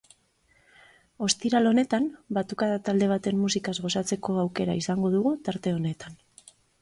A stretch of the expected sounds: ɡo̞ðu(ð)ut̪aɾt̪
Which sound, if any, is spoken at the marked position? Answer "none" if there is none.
ɣ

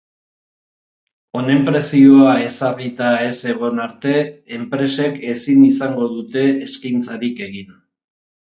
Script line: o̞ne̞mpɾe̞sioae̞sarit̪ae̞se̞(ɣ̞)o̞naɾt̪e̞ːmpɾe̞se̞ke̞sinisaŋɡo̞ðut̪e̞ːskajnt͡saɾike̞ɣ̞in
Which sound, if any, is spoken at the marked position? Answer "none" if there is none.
ɣ̞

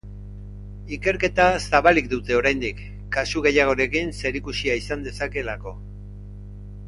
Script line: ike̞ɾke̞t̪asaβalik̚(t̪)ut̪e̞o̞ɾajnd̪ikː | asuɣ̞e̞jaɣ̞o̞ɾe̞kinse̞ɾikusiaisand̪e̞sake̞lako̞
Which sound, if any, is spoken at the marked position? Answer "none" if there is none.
d̪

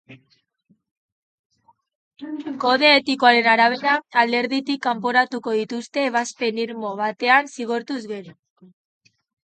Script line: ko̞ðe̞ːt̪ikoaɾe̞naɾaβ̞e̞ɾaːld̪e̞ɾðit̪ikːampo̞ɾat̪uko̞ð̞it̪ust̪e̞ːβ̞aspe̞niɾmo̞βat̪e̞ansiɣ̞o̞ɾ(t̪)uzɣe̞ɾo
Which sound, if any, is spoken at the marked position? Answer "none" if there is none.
t̪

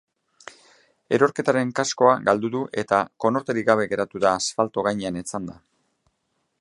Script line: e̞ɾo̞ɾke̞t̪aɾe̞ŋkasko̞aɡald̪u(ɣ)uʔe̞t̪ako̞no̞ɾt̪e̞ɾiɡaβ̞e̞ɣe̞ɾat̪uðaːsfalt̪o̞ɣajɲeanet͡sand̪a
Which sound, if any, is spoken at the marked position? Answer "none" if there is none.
ð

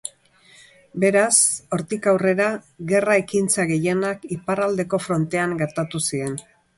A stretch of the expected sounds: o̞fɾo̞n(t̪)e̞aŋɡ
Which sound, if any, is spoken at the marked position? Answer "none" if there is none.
t̪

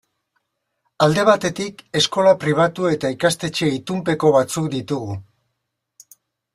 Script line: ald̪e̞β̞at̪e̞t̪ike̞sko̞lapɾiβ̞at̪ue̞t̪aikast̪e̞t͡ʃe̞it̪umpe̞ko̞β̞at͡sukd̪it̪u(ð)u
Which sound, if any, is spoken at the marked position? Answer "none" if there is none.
ɣ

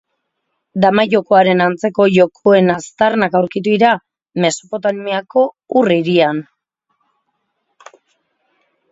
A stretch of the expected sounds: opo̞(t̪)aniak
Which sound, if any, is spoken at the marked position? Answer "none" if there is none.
t̪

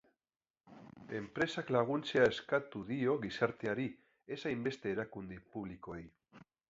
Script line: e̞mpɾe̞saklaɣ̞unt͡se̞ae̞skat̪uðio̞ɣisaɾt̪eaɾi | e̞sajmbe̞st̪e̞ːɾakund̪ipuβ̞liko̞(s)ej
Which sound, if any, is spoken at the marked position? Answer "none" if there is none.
none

